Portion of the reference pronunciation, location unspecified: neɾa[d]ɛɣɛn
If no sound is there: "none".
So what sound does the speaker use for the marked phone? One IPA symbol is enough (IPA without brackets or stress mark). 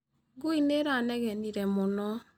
n